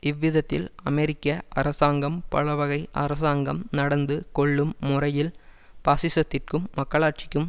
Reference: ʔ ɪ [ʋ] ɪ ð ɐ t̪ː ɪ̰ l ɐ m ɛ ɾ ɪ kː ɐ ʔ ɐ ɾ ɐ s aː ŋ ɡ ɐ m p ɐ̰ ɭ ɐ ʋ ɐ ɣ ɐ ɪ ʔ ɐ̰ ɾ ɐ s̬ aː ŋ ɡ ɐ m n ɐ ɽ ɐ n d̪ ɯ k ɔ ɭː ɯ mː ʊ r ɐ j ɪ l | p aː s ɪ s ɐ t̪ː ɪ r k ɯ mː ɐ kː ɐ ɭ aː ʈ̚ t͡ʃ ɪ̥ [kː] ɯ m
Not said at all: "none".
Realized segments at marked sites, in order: ʋː, kː

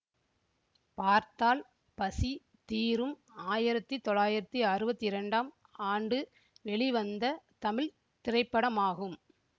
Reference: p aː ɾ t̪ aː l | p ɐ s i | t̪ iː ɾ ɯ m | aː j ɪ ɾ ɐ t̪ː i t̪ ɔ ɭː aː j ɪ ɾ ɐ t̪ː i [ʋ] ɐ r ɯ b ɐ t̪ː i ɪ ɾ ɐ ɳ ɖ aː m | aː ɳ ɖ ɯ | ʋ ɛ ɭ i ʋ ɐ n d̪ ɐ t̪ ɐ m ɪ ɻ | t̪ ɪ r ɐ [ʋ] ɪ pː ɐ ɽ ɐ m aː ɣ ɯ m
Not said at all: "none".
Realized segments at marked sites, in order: none, none

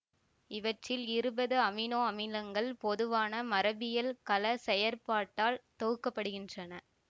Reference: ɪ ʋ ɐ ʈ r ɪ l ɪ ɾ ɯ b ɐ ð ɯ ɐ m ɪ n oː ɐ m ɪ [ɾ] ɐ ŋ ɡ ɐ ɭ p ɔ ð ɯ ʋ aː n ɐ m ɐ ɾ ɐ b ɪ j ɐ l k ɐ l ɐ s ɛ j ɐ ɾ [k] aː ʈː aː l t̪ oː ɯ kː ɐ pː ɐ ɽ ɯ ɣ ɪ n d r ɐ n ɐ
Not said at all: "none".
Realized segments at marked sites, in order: l, p

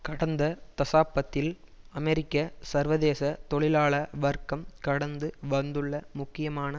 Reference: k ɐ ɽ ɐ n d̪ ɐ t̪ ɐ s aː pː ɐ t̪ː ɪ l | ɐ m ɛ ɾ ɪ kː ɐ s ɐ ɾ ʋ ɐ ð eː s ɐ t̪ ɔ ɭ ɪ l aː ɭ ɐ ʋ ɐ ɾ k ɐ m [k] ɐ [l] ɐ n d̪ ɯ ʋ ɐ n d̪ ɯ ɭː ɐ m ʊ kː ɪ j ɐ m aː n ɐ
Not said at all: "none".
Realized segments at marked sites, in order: k, ɽ

